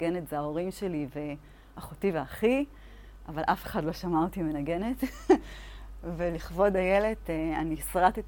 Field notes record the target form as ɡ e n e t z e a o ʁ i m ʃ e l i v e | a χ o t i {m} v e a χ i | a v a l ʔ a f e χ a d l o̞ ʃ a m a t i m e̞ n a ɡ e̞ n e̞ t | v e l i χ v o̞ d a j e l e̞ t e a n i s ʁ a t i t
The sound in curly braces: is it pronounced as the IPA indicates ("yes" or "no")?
no